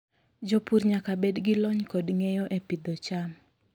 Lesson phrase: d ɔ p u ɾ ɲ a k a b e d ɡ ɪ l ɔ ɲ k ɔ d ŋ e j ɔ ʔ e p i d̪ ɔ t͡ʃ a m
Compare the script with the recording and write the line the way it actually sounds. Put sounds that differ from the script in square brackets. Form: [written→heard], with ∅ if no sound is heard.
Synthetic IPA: [d→d͡ʒ] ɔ p u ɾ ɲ a k a b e d ɡ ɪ l ɔ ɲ k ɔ d ŋ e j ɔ ʔ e p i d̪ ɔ t͡ʃ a m